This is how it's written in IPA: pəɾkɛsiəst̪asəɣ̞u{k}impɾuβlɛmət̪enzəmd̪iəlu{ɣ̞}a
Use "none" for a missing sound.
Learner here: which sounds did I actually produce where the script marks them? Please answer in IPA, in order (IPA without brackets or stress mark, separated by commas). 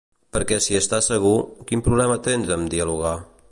k, ɣ̞